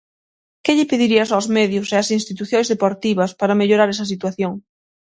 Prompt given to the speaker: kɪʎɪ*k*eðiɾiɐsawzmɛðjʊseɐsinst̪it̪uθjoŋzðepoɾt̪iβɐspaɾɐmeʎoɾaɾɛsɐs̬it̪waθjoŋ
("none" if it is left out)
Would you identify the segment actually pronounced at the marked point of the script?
p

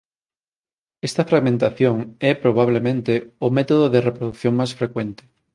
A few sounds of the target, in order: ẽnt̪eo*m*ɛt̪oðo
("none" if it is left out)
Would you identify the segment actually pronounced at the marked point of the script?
m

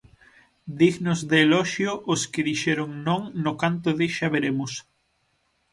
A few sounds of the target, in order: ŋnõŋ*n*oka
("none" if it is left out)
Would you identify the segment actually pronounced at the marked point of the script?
n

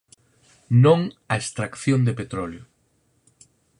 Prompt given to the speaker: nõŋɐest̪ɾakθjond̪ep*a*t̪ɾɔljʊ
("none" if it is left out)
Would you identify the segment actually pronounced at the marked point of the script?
e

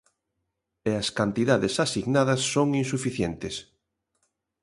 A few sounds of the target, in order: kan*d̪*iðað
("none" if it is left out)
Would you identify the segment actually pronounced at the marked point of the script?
t̪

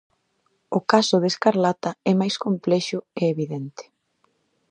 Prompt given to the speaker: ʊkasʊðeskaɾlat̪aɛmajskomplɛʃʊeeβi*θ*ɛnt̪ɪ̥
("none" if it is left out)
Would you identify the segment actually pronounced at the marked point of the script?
ð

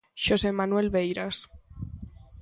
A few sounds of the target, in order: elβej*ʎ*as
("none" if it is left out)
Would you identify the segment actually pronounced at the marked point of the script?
ɾ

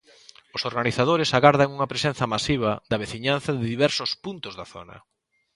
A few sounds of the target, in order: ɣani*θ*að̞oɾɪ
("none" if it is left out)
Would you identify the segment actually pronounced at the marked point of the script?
θ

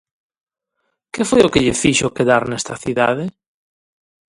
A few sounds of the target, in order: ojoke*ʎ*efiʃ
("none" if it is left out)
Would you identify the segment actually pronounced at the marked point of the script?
ʎ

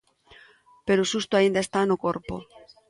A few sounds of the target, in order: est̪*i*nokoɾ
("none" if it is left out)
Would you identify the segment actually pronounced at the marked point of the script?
a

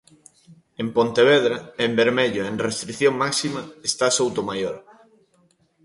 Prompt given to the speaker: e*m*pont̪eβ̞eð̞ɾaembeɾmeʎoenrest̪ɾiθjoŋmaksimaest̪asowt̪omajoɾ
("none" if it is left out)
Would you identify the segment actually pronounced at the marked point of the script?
m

